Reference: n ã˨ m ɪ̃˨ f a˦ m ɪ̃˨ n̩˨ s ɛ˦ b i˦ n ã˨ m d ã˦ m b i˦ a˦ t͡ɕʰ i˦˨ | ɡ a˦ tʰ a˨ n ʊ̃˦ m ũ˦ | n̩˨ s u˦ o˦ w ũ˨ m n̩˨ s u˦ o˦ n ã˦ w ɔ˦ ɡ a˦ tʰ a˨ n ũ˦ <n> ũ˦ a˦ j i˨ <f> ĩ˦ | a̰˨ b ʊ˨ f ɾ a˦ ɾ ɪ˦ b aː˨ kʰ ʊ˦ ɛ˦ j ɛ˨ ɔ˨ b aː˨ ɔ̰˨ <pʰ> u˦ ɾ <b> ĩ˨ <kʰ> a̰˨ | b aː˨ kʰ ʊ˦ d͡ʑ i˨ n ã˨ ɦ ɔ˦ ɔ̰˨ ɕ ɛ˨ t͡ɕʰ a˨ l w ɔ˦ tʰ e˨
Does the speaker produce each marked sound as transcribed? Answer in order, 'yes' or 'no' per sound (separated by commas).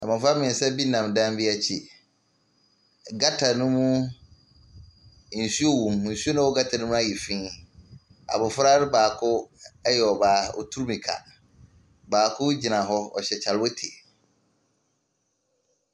no, yes, no, no, yes